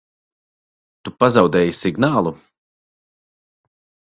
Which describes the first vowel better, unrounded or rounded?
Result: rounded